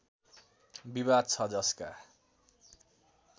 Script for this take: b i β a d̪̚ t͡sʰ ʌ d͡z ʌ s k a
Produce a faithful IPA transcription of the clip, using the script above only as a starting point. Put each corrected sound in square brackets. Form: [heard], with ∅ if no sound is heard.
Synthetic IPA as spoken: b i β a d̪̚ t͡sʰ ʌ d͡z ʌ s k a